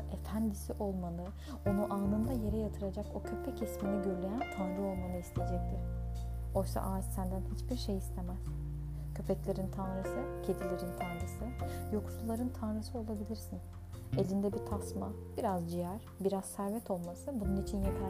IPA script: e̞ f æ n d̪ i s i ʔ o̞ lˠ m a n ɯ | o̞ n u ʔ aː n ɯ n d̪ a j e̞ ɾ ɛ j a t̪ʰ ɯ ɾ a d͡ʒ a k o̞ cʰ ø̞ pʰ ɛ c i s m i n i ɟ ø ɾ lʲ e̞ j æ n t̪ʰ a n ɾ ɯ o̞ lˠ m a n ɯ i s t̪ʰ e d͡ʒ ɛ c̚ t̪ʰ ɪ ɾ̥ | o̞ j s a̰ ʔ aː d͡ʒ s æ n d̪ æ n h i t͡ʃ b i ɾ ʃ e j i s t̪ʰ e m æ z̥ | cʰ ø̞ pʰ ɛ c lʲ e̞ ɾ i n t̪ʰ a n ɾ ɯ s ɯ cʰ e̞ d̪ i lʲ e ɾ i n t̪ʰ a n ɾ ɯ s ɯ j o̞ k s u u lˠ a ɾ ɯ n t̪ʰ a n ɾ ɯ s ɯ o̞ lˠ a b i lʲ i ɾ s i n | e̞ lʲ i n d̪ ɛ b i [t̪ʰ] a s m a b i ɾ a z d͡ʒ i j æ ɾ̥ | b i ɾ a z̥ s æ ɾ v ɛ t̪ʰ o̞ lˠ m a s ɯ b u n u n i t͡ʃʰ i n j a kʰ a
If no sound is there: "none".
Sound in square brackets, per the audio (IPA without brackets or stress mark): t̪ʰ